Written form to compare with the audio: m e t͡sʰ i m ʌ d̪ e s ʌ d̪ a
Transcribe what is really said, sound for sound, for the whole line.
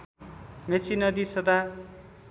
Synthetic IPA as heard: m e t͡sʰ i n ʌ d̪ i s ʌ d̪ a